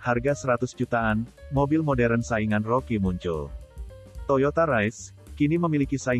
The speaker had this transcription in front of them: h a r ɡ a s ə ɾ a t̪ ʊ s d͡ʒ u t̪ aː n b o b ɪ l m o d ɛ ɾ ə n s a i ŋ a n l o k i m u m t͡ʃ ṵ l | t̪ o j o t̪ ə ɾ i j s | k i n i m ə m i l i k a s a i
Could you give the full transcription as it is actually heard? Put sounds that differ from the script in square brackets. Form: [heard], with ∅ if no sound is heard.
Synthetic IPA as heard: h a r ɡ a s ə ɾ a t̪ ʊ s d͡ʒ u t̪ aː n [m] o b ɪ l m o d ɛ ɾ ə n s a i ŋ a n [r] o k i m u [ɲ] t͡ʃ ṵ l | t̪ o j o t̪ [a] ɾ [a] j s | k i n i m ə m i l i k [i] s a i

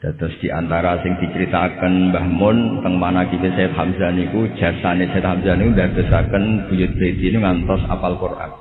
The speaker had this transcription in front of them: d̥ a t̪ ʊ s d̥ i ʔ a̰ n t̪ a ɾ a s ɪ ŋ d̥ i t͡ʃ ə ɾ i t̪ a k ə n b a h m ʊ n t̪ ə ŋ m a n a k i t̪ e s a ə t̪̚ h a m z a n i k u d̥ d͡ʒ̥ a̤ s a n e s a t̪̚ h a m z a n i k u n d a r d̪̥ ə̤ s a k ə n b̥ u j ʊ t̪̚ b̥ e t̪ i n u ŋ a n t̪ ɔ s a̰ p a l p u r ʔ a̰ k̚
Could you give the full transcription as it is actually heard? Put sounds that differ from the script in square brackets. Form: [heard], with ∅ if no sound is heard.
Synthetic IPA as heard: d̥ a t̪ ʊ s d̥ i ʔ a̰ n t̪ a ɾ a s ɪ ŋ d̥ i t͡ʃ ə ɾ i t̪ a k ə n b a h m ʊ n t̪ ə ŋ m a n a k i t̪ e s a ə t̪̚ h a m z a n i k u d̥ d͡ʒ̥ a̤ s a n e s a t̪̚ h a m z a n i k u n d a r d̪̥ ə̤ s a k ə n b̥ u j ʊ t̪̚ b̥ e t̪ i n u ŋ a n t̪ ɔ s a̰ p a l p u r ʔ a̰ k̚

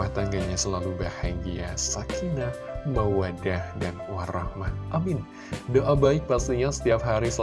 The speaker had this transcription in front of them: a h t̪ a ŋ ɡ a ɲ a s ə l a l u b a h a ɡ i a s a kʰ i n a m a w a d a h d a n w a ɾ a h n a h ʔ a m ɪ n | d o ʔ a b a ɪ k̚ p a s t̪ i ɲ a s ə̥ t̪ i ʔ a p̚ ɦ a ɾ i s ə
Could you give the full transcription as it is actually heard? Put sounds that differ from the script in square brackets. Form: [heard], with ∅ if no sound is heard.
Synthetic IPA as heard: a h t̪ a ŋ ɡ a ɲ a s ə l a l u b a h a ɡ i a s a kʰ i n a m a w a d a h d a n w a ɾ a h [m] a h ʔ a m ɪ n | d o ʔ a b a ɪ k̚ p a s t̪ i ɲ a s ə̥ t̪ i [∅] a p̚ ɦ a ɾ i s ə

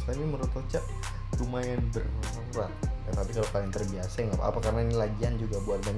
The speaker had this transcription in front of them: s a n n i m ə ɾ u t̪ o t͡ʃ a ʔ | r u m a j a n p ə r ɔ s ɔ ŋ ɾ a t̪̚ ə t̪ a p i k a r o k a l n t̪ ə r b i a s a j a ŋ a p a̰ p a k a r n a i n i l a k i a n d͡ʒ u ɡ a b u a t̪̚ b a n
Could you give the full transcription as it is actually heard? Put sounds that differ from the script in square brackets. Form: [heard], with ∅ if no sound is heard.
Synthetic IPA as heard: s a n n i m ə ɾ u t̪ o t͡ʃ a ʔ | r u m a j a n [b] ə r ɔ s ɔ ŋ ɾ a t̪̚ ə t̪ a p i k a [l] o k a l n t̪ ə r b i a s a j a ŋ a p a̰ p a k a r n a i n i l a [ɡ] i a n d͡ʒ u ɡ a b u a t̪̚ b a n

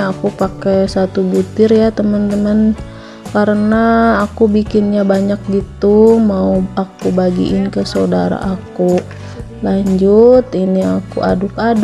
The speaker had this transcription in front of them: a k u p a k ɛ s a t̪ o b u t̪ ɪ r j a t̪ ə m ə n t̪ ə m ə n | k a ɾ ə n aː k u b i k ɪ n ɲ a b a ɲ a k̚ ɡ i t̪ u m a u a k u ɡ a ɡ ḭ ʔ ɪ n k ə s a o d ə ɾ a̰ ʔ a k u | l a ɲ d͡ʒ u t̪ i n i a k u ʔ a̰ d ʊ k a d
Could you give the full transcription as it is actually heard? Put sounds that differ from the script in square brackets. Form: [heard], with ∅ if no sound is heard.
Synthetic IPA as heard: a k u p a k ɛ s a t̪ [u] b u t̪ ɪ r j a t̪ ə m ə n t̪ ə m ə n | k a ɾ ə n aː k u b i k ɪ n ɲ a b a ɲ a k̚ ɡ i t̪ u m a u a k u [b] a ɡ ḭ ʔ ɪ n k ə s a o d [a] ɾ a̰ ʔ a k u | l a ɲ d͡ʒ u t̪ i n i a k u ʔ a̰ d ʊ k a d

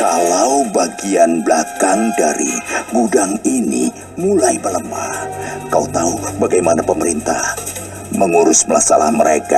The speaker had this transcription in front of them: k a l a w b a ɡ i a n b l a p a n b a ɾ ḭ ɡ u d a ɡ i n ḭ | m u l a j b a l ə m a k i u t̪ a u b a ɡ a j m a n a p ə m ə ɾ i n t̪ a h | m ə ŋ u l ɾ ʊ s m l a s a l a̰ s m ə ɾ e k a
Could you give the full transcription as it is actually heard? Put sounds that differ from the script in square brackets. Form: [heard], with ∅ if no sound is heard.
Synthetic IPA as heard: k a l a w b a ɡ i a n b l a [k] a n [d] a ɾ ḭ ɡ u d a [ŋ] i n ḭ | m u l a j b [ə] l ə m a k [a] u t̪ a u b a ɡ a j m a n a p ə m ə ɾ i n t̪ a h | m ə ŋ u [∅] ɾ ʊ s m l a s a l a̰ [h] m ə ɾ e k a

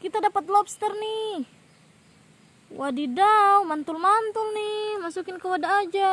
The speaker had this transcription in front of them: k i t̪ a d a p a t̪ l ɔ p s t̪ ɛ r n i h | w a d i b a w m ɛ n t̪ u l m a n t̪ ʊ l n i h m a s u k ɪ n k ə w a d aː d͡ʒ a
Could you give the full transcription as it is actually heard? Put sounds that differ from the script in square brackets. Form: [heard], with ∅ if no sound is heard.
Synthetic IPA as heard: k i t̪ a d a p a t̪ l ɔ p s t̪ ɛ r n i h | w a d i [d] a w m [a] n t̪ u l m a n t̪ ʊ l n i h m a s u k ɪ n k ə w a d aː d͡ʒ a

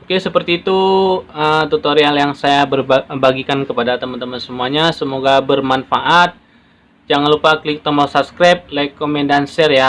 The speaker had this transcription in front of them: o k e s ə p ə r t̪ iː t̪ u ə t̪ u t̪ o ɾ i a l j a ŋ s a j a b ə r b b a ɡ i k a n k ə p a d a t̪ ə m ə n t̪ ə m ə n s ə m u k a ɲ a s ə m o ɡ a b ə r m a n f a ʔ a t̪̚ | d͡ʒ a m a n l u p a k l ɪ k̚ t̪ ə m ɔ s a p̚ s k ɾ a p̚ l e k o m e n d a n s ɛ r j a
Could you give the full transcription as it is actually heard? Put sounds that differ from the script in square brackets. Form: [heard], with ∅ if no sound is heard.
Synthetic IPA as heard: o k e s ə p ə r t̪ iː t̪ u ə t̪ u t̪ o ɾ i a l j a ŋ s a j a b ə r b b a ɡ i k a n k ə p a d a t̪ ə m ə n t̪ ə m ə n s ə m u [∅] a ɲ a s ə m o ɡ a b ə r m a n f a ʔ a t̪̚ | d͡ʒ a [ŋ] a n l u p a k l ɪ k̚ t̪ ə m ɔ s a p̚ s k ɾ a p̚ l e k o m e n d a n s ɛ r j a

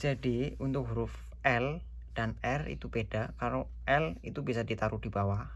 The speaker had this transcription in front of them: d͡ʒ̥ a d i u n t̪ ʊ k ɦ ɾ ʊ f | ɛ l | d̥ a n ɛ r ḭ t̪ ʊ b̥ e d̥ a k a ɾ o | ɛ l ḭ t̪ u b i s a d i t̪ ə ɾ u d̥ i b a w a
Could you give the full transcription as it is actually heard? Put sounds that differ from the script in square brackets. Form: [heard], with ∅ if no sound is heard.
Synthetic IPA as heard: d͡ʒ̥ a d i u n t̪ ʊ k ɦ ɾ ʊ f | ɛ l | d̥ a n ɛ r ḭ t̪ [u] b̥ e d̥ a k a ɾ o | ɛ l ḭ t̪ u b i s a d i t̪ [a] ɾ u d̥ i b a w a

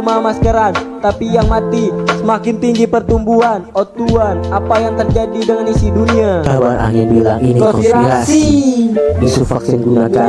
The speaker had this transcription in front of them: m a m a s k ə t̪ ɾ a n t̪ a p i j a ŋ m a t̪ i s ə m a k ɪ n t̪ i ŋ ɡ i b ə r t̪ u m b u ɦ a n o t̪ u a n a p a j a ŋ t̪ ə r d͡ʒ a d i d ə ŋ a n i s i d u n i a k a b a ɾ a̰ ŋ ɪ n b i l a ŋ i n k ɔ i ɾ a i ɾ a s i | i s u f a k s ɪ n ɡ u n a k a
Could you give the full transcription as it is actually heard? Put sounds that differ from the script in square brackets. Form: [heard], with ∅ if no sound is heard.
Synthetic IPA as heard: m a m a s k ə [∅] ɾ a n t̪ a p i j a ŋ m a t̪ i s ə m a k ɪ n t̪ i ŋ ɡ i [p] ə r t̪ u m b u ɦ a n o t̪ u a n a p a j a ŋ t̪ ə r d͡ʒ a d i d ə ŋ a n i s i d u n i a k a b a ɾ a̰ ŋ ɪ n b i l a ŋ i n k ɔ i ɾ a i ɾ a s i | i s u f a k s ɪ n ɡ u n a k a

